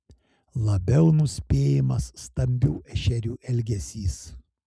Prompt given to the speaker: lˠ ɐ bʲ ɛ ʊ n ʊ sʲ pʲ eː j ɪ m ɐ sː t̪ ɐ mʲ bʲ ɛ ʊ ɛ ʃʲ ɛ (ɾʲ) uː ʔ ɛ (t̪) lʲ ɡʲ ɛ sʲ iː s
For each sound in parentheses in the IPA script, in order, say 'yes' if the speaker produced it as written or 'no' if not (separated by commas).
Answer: yes, no